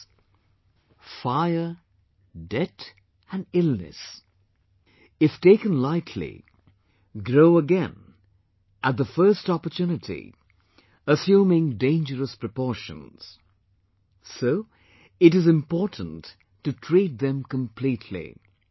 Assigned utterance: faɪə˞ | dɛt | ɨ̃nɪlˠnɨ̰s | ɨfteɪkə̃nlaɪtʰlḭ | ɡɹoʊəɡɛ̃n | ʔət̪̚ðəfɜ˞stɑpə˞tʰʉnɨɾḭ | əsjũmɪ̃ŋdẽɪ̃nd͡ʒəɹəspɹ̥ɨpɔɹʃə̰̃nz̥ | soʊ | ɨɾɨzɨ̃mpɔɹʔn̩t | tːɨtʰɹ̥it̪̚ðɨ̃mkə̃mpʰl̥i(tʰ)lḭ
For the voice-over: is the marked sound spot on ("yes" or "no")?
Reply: yes